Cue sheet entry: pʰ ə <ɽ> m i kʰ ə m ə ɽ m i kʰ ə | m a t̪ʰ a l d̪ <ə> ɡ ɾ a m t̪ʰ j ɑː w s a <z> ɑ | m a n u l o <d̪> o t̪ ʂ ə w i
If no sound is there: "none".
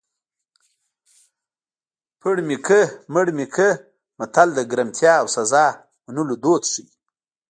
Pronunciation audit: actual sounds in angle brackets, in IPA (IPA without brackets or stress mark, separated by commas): ɽ, ə, z, d̪